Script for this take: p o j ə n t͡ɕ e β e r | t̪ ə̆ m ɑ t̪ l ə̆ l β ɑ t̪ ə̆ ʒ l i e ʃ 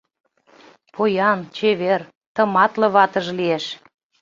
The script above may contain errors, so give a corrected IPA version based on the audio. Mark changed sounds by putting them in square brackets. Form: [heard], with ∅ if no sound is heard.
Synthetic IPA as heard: p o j [ɑ] n t͡ɕ e β e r | t̪ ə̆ m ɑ t̪ l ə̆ [∅] β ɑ t̪ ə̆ ʒ l i e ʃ